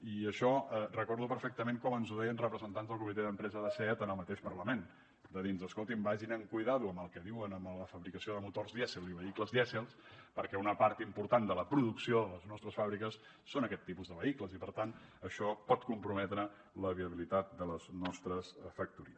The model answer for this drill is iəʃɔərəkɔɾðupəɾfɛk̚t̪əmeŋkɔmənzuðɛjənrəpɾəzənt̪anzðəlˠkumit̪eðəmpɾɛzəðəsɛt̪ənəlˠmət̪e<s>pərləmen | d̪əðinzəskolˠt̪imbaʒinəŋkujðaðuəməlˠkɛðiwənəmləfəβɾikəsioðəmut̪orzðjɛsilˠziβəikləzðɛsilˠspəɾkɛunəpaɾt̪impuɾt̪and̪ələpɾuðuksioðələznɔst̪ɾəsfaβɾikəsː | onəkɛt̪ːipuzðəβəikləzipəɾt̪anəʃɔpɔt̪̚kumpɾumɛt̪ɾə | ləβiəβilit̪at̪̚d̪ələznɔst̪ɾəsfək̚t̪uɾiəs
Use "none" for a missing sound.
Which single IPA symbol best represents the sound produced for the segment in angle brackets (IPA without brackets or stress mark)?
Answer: ʃ